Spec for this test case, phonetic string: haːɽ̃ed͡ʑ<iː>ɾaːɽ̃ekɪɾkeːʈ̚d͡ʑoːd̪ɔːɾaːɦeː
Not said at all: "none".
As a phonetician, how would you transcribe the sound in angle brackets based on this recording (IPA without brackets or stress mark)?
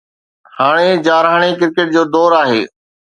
aː